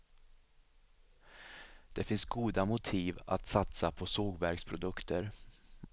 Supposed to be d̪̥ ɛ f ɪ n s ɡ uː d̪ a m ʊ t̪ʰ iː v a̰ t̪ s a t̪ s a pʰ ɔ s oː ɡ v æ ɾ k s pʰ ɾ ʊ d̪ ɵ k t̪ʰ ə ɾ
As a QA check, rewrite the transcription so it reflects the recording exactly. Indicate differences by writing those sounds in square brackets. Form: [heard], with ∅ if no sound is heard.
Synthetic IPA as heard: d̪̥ ɛ f ɪ n s ɡ uː d̪ a m ʊ t̪ʰ iː v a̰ t̪ s a t̪ s a pʰ ɔ s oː ɡ v æ ɾ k s pʰ ɾ ʊ d̪ ɵ k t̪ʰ ə ɾ